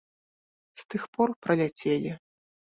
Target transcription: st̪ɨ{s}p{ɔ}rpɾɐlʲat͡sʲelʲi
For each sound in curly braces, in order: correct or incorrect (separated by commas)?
incorrect, correct